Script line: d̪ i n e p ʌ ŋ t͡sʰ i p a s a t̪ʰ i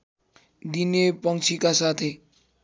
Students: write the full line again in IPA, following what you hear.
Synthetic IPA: d̪ i n e p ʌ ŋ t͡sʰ i k a s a t̪ʰ e